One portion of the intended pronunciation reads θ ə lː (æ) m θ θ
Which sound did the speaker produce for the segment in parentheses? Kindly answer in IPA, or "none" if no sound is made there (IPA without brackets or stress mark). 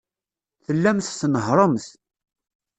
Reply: æ